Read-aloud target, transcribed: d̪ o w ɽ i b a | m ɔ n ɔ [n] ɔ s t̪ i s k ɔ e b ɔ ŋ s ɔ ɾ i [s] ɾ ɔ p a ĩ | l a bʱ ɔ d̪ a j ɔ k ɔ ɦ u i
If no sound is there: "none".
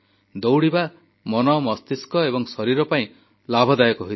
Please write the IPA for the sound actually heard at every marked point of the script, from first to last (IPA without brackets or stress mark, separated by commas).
m, none